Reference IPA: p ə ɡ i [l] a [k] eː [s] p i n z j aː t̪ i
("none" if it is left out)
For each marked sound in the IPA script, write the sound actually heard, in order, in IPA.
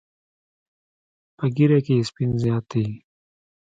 ɾ, k, s

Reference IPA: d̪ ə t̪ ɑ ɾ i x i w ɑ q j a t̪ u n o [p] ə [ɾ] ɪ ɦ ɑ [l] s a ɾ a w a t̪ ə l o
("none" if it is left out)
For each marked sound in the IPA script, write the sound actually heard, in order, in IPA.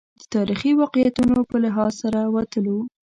p, l, l

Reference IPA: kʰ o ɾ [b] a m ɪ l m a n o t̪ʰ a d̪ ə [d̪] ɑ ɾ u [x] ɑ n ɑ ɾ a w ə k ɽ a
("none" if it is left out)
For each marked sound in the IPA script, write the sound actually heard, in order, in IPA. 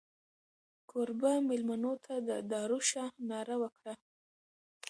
b, d̪, ʃ

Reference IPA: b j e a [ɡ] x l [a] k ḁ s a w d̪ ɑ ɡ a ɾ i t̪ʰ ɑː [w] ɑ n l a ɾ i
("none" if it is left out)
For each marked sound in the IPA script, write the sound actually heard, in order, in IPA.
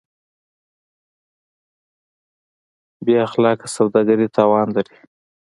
none, ɑ, w

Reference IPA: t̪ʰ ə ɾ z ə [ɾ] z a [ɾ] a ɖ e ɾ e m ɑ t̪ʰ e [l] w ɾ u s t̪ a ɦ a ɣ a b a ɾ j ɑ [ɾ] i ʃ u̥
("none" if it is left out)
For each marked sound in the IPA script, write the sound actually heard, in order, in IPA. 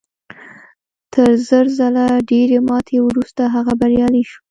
ɾ, l, none, l

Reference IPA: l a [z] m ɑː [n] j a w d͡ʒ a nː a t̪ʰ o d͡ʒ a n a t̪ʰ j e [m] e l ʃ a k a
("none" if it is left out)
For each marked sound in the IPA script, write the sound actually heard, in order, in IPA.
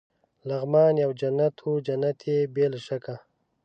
ɣ, n, b

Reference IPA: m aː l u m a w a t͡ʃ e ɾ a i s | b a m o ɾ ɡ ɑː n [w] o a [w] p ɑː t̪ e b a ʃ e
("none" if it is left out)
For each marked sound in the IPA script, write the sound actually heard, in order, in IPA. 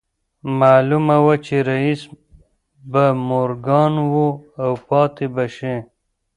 w, w

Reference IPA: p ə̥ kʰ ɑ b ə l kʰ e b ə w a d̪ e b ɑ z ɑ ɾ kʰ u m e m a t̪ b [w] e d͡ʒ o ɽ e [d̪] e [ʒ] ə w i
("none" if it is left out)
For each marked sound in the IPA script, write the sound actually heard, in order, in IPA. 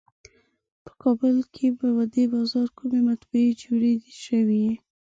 u, d̪, ʃ

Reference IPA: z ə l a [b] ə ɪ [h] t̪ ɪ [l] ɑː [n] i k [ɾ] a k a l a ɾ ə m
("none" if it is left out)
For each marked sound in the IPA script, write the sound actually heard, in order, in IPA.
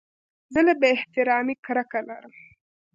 b, h, ɾ, m, ɾ

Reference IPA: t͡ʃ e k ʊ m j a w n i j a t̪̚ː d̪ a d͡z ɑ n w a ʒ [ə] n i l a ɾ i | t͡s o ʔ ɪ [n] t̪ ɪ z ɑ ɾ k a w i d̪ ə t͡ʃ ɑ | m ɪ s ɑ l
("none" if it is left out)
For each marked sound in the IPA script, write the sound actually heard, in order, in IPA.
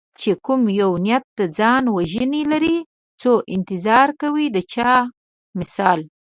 ə, n

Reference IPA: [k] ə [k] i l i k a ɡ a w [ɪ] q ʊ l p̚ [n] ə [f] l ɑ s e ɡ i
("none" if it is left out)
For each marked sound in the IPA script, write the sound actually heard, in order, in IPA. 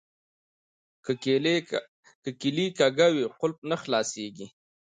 k, k, i, n, x

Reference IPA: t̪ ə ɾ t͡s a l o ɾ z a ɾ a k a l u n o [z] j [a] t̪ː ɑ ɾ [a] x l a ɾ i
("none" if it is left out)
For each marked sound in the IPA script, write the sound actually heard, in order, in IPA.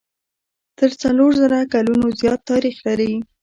z, ɑ, i

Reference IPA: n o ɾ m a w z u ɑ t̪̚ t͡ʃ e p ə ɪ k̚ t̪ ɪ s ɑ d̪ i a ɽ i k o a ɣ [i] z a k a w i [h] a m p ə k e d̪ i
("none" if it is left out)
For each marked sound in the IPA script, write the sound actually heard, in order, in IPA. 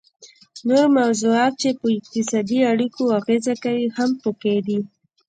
e, h

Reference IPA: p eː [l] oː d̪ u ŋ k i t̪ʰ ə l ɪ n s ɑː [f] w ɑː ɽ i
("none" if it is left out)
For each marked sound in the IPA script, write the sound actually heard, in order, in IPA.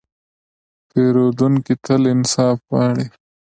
ɾ, f

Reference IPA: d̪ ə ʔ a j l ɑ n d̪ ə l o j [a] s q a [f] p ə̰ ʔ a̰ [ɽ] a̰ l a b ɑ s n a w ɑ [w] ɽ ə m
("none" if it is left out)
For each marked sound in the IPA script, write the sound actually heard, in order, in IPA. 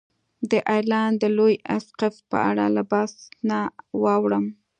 a, f, ɽ, w

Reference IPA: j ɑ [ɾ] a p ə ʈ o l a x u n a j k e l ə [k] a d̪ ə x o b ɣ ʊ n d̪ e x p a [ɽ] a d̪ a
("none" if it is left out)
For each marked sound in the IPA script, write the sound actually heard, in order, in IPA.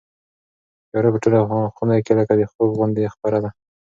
ɾ, k, ɾ

